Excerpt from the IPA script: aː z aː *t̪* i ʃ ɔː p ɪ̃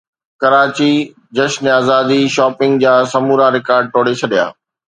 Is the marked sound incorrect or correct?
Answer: incorrect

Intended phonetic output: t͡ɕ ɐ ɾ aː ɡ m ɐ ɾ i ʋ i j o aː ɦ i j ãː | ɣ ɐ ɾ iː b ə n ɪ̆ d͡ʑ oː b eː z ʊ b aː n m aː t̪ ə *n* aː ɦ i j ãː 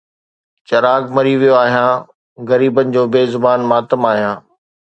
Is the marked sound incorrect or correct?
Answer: incorrect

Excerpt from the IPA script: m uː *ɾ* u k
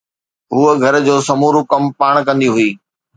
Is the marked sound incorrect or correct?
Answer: correct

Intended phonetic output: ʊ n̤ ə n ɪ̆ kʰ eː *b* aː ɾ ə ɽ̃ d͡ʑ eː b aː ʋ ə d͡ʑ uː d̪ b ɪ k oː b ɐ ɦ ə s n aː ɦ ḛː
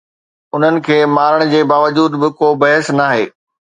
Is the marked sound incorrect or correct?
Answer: incorrect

